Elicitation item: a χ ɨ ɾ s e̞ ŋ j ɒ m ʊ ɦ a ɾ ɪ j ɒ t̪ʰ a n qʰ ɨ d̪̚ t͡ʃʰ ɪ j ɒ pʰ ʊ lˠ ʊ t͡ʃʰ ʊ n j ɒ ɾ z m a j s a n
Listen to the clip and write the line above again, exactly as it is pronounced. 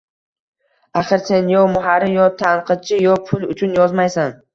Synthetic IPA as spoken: a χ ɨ ɾ s e̞ n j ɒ m ʊ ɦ a ɾ ɪ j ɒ t̪ʰ a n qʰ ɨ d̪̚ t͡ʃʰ ɪ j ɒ pʰ ʊ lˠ ʊ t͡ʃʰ ʊ n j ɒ z m a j s a n